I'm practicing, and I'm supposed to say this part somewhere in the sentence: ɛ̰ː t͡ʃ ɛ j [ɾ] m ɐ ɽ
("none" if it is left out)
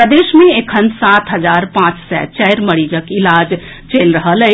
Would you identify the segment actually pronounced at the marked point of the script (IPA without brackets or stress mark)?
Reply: ɾ